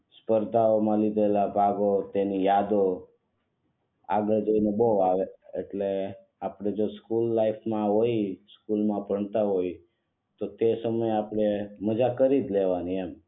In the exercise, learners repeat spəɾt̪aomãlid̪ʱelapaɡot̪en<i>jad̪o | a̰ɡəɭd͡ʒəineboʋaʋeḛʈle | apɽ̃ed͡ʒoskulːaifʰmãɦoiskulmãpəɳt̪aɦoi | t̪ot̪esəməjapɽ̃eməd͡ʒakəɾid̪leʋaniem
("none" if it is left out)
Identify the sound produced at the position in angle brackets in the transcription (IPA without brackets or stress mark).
i